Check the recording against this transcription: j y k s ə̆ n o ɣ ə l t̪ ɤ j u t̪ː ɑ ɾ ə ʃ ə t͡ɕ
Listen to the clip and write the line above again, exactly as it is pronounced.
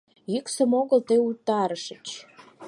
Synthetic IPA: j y k s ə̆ m o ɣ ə l t̪ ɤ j u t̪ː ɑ ɾ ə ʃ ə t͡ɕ